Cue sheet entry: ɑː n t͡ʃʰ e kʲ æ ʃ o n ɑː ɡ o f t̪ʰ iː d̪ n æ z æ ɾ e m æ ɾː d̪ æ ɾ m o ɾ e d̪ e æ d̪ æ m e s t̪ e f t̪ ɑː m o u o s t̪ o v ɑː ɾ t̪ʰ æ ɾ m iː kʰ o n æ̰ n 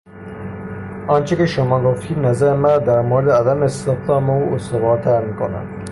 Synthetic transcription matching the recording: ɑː n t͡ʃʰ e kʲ e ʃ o m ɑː ɡ o f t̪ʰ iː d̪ n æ z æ ɾ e m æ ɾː d̪ æ ɾ m o ɾ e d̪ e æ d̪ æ m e s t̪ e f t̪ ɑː m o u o s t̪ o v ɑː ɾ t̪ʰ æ ɾ m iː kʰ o n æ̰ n